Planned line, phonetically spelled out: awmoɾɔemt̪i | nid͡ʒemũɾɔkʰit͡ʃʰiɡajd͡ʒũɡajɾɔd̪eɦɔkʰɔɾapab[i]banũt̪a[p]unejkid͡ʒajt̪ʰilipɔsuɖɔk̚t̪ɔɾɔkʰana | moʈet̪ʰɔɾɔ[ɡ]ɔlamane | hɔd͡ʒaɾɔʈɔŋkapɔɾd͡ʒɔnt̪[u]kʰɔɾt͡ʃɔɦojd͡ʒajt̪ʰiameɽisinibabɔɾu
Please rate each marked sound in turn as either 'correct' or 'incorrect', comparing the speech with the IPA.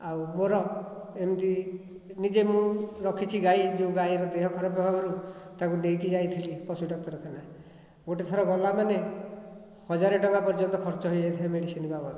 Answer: incorrect, incorrect, correct, incorrect

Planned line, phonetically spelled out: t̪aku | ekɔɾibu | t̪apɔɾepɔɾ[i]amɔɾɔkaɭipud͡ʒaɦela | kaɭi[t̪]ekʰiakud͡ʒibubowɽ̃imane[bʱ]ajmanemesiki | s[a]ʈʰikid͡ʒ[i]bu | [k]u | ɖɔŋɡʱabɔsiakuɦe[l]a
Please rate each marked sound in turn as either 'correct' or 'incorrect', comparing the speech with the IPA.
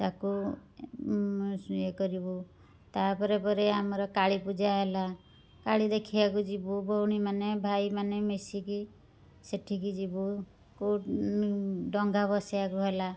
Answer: incorrect, incorrect, correct, incorrect, correct, correct, correct

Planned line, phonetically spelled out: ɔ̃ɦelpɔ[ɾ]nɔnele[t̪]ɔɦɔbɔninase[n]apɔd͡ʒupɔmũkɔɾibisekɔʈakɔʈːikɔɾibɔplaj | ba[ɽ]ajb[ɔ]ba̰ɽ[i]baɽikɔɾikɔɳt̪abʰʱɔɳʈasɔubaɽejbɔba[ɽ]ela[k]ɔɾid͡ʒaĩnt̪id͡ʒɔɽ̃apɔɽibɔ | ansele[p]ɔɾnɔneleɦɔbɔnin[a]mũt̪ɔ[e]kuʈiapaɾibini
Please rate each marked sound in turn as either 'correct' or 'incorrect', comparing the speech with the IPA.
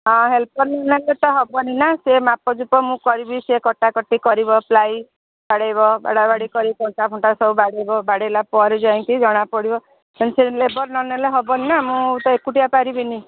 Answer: correct, correct, incorrect, correct, correct, incorrect, correct, incorrect, incorrect, correct, correct

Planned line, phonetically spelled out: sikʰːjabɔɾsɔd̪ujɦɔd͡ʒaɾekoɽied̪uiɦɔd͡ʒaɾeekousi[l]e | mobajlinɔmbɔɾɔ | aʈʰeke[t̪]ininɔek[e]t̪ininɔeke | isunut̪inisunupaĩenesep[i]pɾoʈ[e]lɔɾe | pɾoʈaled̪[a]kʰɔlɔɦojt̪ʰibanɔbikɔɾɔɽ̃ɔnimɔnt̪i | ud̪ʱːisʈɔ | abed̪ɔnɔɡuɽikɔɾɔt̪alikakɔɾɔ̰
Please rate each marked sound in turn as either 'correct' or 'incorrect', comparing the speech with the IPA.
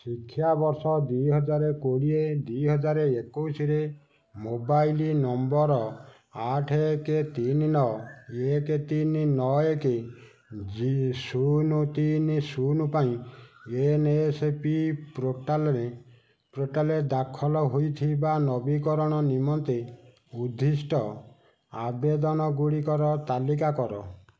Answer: incorrect, correct, correct, correct, incorrect, correct

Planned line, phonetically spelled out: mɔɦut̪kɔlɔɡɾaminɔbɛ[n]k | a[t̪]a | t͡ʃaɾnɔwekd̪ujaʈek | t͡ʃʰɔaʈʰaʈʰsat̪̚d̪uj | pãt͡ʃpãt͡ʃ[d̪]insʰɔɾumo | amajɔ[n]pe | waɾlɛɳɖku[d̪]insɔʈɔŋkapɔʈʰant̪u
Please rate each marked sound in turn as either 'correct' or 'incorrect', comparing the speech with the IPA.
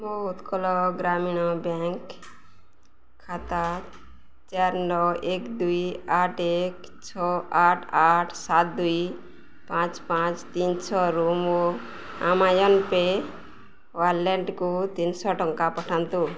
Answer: incorrect, correct, incorrect, correct, incorrect

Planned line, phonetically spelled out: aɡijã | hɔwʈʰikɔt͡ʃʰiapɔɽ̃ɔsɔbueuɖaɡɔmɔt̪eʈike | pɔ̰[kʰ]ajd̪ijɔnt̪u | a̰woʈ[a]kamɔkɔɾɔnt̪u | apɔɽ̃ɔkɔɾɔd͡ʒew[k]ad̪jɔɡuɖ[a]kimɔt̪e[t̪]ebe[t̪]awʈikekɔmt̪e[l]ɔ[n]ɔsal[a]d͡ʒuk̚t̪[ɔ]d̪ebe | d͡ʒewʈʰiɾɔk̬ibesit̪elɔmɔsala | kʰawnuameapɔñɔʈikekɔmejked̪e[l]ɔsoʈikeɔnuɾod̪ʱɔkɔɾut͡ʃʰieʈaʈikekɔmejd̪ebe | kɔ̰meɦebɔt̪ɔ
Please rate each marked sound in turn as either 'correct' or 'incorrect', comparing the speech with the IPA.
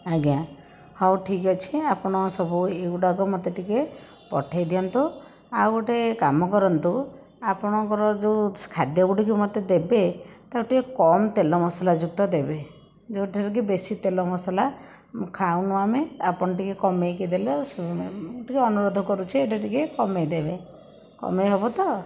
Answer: incorrect, incorrect, incorrect, incorrect, incorrect, correct, correct, incorrect, correct, correct, correct

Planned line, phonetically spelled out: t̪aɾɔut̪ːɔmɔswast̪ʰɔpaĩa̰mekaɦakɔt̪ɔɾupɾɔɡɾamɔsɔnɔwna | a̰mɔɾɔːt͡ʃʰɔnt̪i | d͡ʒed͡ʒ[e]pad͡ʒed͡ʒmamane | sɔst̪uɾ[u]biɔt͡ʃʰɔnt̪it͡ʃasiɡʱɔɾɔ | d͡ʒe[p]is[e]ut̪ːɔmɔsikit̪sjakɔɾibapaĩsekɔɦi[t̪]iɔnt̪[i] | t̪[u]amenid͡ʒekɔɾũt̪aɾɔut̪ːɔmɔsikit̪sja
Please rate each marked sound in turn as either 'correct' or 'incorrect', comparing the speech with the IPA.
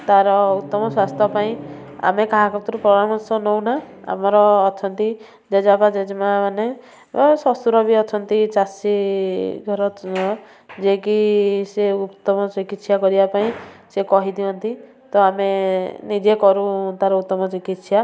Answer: incorrect, incorrect, incorrect, correct, incorrect, correct, incorrect

